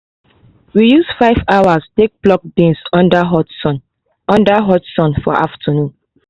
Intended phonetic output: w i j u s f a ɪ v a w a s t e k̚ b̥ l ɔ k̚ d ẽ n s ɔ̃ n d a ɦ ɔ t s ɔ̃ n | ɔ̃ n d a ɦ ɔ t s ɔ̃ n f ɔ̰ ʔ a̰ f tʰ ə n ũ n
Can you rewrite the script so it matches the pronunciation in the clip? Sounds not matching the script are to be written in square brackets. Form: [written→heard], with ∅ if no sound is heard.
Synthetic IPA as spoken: w i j u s f a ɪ v a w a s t e k̚ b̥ l ɔ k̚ d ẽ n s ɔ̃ n d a ɦ ɔ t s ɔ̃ n | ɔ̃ n d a ɦ ɔ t s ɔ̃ n f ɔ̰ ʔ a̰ f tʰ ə n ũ n

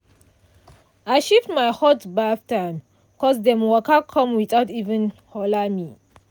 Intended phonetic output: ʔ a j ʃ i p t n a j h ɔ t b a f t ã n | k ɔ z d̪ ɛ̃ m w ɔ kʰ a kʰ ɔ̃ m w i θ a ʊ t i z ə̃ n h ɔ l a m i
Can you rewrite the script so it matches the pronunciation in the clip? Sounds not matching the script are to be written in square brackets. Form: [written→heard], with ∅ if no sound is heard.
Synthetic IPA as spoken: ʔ a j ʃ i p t [n→m] a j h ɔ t b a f t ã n | k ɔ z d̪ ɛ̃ m w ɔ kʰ a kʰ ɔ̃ m w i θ a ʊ t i [z→v] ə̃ n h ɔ l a m i

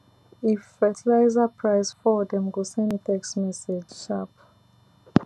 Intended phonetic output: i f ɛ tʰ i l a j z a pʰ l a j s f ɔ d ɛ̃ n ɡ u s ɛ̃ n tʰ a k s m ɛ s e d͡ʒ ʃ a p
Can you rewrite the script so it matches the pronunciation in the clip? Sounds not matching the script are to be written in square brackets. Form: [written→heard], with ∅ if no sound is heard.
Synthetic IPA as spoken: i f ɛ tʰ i l a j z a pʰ [l→ɹ] a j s f ɔ d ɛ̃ [n→m] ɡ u s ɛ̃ n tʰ [a→ɛ] k s m ɛ s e d͡ʒ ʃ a p

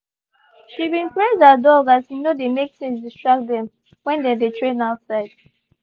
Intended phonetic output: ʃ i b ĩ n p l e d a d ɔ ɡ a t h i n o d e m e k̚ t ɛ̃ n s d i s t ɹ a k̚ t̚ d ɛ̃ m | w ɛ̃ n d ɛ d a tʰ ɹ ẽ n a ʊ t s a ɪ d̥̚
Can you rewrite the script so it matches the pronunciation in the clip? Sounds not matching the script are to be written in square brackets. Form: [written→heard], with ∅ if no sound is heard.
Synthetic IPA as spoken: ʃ i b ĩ n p [l→ɹ] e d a d ɔ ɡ a t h i n o d e m e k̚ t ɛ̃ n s d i s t ɹ a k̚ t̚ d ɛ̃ m | w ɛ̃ n d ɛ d [a→e] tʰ ɹ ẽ n a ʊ t s a ɪ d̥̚

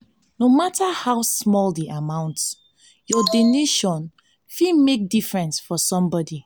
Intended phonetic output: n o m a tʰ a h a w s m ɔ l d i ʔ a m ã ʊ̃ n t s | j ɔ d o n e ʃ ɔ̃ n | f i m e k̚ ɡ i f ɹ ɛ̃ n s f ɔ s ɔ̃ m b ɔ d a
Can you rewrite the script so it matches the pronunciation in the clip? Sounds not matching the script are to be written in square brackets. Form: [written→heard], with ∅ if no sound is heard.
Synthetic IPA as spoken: n o m a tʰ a h a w s m ɔ l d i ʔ a m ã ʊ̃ n t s | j ɔ d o n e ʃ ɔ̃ n | f i m e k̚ [ɡ→d] i f ɹ ɛ̃ n s f ɔ s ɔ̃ m b ɔ d [a→i]

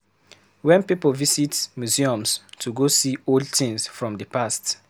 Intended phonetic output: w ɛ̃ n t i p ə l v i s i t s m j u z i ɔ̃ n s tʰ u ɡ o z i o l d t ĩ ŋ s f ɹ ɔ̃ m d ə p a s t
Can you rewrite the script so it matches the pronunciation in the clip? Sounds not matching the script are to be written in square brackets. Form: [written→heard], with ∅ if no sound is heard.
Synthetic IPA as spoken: w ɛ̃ n [t→p] i p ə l v i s i t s m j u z i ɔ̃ [n→m] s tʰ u ɡ o [z→s] i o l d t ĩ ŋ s f ɹ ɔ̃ m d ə p a s t

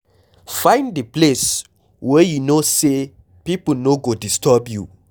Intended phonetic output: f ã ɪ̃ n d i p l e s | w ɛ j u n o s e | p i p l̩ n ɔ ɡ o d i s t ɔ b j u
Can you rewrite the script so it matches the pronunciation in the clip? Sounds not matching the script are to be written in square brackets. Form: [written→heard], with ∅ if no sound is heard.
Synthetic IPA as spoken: f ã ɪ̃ n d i p l e s | w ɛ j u n o s e | p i p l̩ n [ɔ→o] ɡ o d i s t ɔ b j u

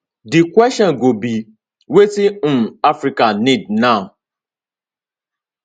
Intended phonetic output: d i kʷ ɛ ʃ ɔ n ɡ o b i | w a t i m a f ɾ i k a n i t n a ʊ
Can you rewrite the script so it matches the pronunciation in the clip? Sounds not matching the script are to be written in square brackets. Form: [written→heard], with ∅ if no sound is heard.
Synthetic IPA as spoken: d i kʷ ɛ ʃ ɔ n ɡ o b i | w [a→e] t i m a f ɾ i k a n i [t→d] n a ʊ

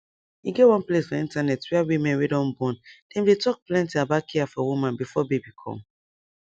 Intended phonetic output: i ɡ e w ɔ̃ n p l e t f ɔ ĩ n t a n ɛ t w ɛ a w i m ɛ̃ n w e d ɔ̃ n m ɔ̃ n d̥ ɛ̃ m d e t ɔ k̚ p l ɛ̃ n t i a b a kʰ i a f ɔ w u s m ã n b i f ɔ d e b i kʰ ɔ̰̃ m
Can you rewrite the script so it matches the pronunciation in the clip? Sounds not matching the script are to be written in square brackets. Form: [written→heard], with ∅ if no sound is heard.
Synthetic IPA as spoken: i ɡ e w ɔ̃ n p l e [t→s] f ɔ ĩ n t a n ɛ t w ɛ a w i m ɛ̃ n w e d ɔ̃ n [m→b] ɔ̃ n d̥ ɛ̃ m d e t ɔ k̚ p l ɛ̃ n t i a b a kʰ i a f ɔ w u [s→∅] m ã n b i f ɔ [d→b] e b i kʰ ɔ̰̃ m

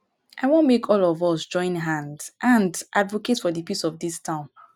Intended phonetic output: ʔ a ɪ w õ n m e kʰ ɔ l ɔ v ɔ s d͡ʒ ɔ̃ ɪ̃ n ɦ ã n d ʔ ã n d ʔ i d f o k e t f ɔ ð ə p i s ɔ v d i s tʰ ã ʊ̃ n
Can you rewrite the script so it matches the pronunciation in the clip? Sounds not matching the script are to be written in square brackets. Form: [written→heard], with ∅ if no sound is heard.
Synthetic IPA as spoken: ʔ a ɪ w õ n m e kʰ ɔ l ɔ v ɔ s d͡ʒ ɔ̃ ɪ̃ n ɦ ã n d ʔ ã n d ʔ [i→a] d [f→v] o k e t f ɔ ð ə p i s ɔ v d i s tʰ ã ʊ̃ n

